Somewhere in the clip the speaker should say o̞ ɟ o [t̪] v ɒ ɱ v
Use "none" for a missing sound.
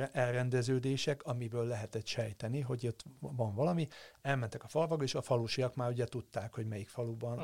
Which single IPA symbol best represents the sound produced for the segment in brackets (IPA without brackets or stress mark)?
t̪